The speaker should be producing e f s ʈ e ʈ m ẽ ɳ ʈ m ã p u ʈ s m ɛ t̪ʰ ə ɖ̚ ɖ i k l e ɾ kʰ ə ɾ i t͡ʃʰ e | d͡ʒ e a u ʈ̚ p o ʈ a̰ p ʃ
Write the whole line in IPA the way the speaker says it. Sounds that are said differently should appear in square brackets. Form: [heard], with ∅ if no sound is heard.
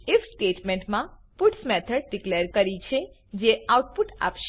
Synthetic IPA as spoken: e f s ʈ e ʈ m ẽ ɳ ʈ m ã p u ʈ s m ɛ t̪ʰ ə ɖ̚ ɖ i k l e ɾ [k] ə ɾ i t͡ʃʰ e | d͡ʒ e a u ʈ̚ p [u] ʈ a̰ p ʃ